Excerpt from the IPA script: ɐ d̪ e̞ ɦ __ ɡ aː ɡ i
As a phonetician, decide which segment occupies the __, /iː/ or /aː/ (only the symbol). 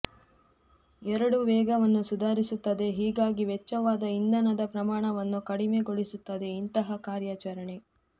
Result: iː